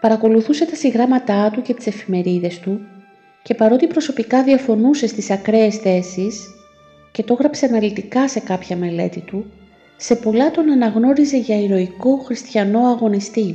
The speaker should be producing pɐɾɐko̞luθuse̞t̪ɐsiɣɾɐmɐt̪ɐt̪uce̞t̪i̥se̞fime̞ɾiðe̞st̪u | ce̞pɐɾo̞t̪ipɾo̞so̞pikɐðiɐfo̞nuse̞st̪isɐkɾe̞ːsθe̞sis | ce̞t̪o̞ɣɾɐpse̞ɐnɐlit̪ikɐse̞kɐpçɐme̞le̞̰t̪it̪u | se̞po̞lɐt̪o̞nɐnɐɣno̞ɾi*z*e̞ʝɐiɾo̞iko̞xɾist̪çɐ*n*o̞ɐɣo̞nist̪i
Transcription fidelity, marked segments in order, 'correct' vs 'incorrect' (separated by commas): correct, correct